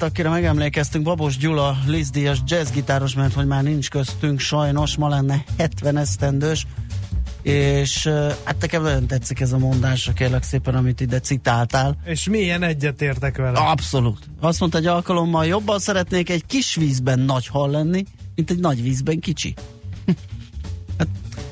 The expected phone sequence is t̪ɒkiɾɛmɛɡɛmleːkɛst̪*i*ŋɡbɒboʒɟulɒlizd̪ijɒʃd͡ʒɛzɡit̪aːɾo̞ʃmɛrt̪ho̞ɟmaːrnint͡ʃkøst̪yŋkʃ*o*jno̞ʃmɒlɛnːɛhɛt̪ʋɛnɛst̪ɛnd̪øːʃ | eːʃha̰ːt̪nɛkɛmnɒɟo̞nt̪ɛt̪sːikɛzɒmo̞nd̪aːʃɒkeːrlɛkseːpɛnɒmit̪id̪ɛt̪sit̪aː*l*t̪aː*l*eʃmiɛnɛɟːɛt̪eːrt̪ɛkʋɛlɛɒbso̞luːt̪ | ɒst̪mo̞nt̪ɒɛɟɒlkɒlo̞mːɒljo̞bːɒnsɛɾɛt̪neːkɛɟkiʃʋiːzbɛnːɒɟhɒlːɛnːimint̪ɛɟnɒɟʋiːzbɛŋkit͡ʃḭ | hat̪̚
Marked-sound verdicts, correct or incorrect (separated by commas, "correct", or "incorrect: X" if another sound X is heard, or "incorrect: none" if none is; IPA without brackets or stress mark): incorrect: y, incorrect: ɒ, correct, correct